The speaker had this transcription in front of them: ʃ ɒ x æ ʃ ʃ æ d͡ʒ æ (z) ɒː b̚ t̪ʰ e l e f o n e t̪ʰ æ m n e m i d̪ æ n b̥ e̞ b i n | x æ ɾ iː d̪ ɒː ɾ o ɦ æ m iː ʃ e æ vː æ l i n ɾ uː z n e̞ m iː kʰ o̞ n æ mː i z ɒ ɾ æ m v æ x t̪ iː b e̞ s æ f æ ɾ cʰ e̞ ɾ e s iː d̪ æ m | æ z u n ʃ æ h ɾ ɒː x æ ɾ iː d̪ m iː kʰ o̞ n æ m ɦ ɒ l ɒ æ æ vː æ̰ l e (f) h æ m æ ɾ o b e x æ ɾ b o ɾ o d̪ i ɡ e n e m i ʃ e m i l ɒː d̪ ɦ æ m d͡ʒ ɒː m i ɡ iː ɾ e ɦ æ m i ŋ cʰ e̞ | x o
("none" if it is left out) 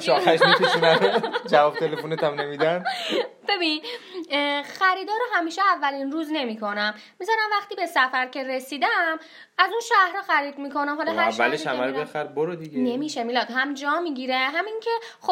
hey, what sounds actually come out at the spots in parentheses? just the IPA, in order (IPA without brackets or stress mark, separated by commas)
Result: v, ʃ